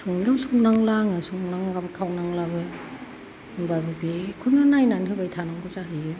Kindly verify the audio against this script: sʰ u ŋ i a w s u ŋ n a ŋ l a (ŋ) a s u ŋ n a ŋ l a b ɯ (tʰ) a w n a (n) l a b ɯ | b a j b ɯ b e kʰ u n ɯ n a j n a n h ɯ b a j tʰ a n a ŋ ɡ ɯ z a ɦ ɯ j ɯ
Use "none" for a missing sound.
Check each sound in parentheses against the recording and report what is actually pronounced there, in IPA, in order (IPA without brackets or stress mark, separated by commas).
ŋ, kʰ, ŋ